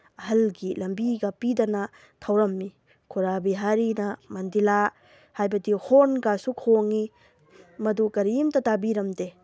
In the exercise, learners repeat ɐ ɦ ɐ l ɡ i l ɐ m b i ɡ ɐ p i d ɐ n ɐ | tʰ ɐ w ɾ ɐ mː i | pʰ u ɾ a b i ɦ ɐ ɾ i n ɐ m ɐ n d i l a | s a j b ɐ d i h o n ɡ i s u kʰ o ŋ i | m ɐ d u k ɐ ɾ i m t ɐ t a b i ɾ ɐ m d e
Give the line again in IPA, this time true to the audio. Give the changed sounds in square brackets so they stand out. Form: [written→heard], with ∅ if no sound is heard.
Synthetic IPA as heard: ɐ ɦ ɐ l ɡ i l ɐ m b i ɡ ɐ p i d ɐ n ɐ | tʰ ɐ w ɾ ɐ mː i | [pʰ→kʰ] u ɾ a b i ɦ [ɐ→a] ɾ i n ɐ m ɐ n d i l a | [s→h] a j b ɐ d i h o n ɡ [i→a] s u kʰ o ŋ i | m ɐ d u k ɐ ɾ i m t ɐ t a b i ɾ ɐ m d e